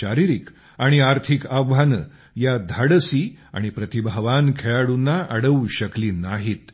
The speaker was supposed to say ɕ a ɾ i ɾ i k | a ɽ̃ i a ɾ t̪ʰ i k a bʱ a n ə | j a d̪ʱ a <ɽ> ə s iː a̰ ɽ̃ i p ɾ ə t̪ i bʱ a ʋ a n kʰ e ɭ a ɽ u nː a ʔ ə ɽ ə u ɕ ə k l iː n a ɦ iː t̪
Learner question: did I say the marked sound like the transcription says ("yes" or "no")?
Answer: yes